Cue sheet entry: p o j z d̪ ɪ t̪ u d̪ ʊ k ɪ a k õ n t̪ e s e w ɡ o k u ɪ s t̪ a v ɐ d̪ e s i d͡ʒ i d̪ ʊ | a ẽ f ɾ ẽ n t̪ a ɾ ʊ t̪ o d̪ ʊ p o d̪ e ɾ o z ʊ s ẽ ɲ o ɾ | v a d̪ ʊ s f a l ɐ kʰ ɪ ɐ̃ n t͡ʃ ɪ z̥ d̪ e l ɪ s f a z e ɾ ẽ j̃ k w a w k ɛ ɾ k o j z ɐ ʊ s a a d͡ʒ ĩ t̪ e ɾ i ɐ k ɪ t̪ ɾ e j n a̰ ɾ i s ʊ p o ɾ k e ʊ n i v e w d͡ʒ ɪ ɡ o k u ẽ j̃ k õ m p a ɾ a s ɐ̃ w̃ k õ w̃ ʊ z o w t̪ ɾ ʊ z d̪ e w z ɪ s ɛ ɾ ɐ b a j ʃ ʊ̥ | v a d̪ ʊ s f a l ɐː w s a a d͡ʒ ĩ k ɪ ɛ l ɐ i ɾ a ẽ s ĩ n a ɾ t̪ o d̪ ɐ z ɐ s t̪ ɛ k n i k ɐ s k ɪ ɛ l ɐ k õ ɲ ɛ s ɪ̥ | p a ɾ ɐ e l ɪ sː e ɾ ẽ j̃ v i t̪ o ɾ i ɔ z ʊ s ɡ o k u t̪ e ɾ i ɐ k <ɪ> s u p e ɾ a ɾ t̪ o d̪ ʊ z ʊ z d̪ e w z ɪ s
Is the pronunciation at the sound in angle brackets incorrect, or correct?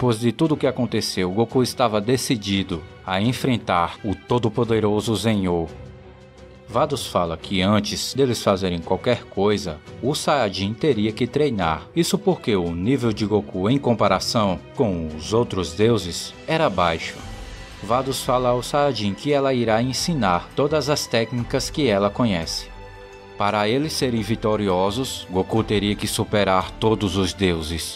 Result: correct